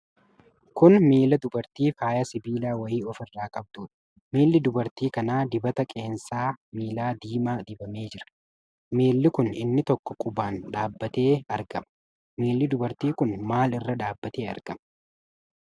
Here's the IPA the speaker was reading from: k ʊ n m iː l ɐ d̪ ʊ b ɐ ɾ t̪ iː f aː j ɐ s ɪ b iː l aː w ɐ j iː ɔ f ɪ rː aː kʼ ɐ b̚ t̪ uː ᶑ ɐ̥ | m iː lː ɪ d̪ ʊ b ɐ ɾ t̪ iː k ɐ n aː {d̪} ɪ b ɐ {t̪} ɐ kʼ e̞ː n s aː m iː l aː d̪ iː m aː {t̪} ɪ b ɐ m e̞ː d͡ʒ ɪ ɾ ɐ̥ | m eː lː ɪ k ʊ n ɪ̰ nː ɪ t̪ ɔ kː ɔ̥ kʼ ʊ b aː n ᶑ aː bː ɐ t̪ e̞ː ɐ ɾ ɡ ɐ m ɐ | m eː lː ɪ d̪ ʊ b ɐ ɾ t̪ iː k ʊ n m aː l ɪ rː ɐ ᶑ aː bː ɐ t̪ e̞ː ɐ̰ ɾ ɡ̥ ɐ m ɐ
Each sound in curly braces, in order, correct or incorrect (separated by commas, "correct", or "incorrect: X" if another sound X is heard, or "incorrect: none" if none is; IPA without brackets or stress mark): correct, correct, incorrect: d̪